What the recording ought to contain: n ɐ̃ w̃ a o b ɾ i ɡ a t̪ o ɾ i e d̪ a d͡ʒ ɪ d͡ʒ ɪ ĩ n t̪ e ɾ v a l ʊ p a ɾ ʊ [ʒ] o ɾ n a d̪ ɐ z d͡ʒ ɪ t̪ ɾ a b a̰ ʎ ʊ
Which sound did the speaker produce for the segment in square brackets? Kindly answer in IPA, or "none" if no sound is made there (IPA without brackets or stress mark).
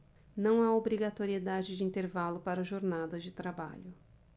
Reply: ʒ